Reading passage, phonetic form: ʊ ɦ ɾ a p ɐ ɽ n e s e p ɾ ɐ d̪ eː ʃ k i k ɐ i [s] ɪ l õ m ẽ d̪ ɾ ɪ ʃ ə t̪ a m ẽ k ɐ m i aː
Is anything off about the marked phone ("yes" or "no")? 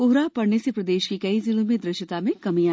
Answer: yes